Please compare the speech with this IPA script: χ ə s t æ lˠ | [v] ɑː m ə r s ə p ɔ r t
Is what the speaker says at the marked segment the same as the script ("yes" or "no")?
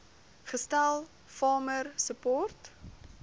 no